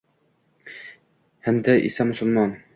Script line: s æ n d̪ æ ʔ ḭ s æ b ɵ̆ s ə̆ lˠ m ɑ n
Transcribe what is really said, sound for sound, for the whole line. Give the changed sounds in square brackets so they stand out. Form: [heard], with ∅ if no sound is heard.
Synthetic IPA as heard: [h] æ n d̪ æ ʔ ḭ s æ [m] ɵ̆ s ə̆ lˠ m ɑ n